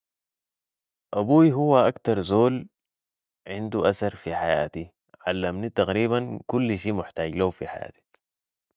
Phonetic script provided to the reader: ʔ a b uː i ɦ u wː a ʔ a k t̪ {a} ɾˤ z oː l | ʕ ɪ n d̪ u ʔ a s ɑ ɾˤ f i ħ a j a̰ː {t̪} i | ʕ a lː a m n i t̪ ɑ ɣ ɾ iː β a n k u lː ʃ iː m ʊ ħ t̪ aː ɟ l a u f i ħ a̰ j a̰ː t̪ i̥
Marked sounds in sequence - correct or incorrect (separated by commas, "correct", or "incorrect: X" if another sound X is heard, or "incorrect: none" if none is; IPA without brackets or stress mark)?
incorrect: ɑ, correct